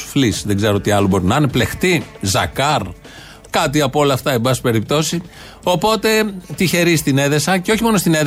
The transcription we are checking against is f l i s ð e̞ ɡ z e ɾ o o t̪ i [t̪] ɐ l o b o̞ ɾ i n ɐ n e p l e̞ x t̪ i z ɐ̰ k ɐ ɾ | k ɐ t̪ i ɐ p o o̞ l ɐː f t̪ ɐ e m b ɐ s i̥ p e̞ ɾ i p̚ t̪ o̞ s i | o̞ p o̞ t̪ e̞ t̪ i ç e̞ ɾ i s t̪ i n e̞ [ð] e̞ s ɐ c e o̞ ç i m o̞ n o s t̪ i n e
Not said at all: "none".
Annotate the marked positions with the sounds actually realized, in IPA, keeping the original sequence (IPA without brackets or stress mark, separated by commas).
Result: none, ð